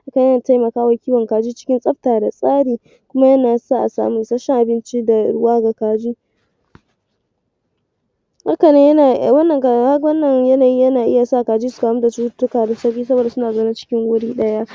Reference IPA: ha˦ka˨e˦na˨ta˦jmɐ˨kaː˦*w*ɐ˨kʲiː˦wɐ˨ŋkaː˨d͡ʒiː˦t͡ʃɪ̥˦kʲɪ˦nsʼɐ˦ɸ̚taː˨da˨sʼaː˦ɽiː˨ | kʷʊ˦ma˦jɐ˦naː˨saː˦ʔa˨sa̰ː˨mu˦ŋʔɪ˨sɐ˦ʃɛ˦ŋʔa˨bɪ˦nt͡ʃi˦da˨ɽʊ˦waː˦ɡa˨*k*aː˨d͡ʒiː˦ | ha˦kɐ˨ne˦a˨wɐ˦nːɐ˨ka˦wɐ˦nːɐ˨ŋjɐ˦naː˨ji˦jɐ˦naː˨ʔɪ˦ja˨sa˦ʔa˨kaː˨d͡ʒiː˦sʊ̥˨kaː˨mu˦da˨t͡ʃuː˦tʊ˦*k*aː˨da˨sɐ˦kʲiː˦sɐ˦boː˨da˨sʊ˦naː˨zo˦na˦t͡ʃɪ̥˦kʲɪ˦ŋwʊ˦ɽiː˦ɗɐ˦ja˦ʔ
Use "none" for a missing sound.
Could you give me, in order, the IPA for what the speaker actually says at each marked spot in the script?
w, k, k

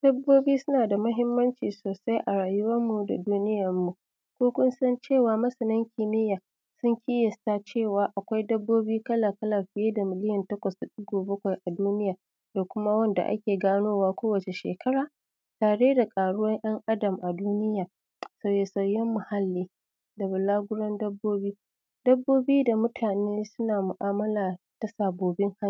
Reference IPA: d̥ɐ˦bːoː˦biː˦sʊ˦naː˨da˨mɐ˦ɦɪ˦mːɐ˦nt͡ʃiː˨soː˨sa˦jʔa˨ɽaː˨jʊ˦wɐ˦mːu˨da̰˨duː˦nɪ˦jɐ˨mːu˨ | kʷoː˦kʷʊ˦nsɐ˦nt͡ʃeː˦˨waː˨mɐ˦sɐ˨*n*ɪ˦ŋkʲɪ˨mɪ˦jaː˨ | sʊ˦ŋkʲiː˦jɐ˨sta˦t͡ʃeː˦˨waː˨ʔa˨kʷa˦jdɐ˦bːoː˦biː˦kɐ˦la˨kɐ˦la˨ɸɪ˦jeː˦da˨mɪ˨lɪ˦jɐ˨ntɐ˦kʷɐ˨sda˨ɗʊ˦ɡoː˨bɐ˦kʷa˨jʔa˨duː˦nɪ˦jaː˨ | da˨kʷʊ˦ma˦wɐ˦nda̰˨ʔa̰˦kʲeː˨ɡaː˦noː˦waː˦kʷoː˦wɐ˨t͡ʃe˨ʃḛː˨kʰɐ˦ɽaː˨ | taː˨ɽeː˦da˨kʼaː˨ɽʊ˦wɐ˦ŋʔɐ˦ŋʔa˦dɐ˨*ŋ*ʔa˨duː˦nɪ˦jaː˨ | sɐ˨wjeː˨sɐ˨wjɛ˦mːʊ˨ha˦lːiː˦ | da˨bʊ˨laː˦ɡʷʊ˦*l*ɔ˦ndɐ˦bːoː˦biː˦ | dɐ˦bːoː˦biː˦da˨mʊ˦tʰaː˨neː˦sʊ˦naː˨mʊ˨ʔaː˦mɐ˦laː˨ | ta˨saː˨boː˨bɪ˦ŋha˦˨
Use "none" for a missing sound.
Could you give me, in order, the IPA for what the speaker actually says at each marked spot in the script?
n, m, ɽ

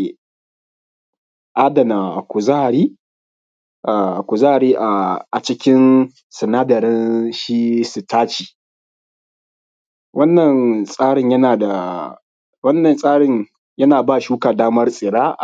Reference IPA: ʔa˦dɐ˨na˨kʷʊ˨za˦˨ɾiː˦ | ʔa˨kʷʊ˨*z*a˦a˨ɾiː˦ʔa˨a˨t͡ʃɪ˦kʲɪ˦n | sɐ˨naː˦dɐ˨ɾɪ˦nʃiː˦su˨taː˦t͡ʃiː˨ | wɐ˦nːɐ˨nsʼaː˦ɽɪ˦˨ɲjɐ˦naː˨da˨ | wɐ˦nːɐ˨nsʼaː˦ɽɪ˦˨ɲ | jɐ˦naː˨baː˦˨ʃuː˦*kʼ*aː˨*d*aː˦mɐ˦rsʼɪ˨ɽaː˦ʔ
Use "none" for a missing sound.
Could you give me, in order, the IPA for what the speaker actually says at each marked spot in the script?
z, k, d

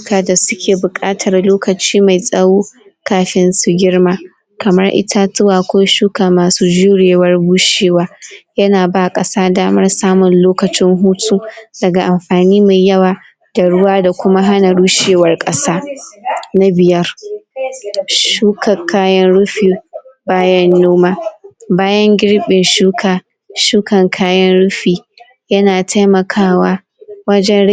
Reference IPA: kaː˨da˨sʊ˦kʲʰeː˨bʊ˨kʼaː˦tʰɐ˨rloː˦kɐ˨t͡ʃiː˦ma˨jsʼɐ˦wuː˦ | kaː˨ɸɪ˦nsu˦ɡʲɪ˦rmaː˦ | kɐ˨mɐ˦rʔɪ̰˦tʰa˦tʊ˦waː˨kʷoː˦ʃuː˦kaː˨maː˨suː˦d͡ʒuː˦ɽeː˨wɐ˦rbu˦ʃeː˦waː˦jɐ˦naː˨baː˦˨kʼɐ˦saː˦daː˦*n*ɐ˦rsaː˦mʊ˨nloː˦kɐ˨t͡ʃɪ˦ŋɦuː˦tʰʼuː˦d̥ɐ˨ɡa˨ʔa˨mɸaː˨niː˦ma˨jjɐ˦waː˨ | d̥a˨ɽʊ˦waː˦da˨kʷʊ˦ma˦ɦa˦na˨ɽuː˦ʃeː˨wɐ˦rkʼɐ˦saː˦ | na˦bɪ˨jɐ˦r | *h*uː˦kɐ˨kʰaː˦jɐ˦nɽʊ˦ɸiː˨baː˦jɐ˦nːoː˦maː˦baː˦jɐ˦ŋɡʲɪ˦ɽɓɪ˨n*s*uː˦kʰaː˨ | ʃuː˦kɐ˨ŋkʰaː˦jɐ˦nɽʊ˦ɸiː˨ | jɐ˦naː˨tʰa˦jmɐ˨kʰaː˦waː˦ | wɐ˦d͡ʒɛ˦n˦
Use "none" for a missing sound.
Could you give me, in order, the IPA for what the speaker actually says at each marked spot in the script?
m, ʃ, ʃ

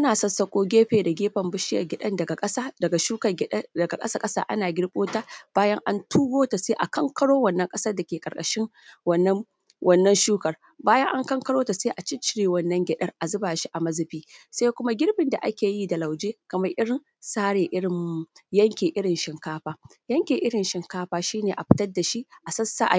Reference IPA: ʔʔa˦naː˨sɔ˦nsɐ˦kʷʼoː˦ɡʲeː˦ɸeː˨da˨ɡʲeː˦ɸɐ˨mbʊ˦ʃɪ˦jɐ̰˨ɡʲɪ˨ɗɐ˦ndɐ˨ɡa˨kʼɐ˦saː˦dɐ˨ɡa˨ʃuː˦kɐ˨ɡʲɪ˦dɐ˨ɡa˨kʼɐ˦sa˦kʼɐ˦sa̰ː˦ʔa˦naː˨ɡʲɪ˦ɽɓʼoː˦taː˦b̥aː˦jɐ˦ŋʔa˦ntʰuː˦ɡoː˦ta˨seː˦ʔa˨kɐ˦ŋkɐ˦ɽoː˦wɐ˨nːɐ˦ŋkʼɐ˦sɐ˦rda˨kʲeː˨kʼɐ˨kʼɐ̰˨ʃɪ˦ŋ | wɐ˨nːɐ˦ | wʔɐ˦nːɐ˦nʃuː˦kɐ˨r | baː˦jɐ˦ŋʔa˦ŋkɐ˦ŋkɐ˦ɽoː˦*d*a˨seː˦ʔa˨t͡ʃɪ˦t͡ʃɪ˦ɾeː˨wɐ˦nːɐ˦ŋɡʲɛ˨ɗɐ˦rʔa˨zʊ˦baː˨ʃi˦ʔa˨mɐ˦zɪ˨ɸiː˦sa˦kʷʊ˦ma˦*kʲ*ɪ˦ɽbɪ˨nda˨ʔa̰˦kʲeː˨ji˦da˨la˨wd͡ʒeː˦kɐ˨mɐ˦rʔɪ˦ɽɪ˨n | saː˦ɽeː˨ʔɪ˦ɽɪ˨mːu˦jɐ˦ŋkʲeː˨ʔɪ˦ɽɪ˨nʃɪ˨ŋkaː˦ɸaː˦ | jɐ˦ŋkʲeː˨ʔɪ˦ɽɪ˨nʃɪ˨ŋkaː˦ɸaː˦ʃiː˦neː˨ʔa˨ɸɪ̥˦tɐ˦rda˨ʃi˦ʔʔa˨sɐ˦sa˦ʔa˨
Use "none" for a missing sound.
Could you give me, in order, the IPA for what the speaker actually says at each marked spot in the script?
t, ɡʲ

